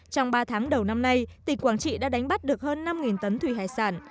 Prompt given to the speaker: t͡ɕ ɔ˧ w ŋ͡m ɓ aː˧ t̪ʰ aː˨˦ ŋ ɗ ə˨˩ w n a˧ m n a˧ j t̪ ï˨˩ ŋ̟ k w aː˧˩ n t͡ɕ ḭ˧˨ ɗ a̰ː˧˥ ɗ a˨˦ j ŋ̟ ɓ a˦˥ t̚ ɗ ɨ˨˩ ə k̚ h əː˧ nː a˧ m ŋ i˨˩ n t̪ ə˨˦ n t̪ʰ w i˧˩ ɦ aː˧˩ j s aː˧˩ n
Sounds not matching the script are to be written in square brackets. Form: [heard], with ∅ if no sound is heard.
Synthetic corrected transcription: t͡ɕ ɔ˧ w ŋ͡m ɓ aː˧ t̪ʰ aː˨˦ ŋ ɗ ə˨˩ w n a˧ m n a˧ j t̪ ï˨˩ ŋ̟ k w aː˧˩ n t͡ɕ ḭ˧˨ ɗ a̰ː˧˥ ɗ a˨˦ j ŋ̟ ɓ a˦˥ t̚ ɗ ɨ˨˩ ə k̚ h əː˧ nː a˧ m ŋ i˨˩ n t̪ ə˨˦ n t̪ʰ w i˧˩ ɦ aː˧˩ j s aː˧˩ n